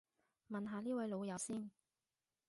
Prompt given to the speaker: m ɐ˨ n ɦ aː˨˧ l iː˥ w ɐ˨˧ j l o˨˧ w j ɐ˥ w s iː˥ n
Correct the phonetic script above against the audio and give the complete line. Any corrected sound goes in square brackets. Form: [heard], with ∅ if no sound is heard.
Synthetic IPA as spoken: m ɐ˨ n ɦ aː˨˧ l iː˥ w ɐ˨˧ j l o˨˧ w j [ɐ˨˧] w s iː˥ n